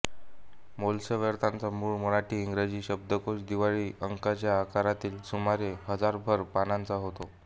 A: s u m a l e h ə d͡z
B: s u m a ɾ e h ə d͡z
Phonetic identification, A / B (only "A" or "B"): B